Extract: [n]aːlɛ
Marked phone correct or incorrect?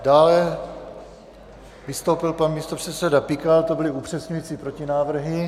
incorrect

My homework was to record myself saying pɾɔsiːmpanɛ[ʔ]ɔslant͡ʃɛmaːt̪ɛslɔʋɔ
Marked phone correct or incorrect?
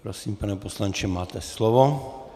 incorrect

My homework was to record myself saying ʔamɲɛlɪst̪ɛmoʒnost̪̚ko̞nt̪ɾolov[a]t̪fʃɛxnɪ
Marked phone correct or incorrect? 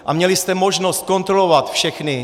correct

